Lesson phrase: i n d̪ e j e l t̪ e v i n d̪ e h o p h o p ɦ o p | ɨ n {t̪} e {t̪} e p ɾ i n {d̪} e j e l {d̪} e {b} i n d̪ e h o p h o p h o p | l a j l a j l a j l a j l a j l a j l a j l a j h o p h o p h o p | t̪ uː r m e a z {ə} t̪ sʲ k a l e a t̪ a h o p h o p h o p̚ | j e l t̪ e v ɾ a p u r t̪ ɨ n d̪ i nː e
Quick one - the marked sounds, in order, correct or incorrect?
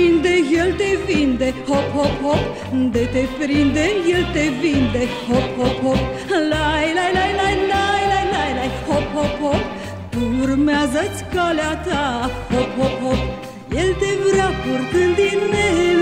incorrect: d̪, correct, correct, incorrect: t̪, incorrect: v, correct

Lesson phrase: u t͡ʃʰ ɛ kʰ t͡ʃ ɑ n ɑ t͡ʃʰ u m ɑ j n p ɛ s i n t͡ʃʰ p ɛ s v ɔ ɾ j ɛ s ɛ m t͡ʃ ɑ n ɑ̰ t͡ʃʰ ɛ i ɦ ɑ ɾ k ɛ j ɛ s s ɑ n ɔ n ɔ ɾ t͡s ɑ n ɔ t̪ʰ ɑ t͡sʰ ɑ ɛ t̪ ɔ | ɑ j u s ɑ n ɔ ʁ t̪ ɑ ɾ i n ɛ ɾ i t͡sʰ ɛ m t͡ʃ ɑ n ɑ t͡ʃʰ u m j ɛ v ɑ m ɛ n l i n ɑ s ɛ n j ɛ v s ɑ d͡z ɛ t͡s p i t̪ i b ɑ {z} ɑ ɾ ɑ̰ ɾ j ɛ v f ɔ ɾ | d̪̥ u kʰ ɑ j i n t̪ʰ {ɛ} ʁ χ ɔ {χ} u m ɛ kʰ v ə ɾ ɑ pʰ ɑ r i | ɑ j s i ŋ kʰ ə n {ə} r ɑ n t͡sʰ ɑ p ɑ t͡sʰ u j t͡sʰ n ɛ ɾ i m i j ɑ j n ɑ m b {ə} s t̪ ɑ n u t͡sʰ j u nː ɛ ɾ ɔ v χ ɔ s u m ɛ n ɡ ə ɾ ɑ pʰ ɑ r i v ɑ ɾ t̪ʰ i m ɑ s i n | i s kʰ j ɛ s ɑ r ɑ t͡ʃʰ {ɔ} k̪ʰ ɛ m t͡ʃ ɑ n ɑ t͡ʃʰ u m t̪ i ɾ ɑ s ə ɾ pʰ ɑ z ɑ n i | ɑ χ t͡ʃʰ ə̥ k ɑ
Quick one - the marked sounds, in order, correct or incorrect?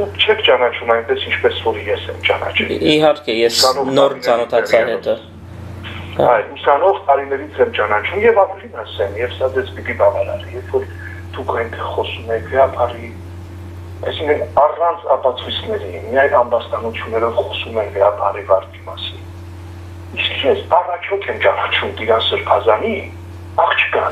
incorrect: v, correct, incorrect: s, incorrect: ɑ, incorrect: ɑ, correct

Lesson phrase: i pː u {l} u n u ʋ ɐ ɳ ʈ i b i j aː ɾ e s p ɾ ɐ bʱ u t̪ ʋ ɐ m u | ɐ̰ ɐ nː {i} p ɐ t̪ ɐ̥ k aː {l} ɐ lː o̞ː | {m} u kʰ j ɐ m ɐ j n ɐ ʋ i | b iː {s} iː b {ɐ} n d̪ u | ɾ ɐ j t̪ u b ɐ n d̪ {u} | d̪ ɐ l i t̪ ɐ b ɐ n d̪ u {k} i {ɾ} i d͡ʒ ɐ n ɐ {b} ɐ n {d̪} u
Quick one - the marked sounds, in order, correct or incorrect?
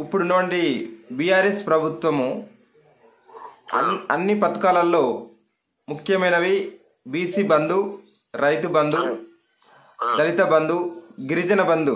incorrect: ɽ, correct, correct, correct, correct, correct, correct, incorrect: ɡ, correct, correct, correct

